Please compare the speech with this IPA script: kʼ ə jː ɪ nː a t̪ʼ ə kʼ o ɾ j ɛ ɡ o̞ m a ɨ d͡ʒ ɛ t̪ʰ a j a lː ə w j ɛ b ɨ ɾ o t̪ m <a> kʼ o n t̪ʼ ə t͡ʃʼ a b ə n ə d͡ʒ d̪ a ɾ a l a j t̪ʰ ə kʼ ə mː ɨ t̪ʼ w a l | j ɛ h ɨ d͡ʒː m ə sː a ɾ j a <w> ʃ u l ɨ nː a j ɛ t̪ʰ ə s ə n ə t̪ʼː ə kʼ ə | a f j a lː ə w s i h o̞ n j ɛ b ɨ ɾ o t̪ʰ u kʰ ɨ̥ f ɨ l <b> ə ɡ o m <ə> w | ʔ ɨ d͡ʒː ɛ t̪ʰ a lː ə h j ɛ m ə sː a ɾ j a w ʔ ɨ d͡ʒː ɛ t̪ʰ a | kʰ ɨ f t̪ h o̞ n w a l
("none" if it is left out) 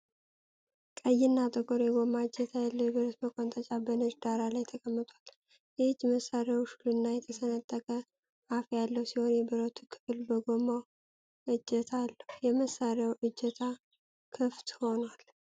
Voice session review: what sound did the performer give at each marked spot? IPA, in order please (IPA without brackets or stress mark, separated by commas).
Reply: ə, w, b, a